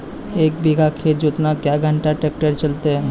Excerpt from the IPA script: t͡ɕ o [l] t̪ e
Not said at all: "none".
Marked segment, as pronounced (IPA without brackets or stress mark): l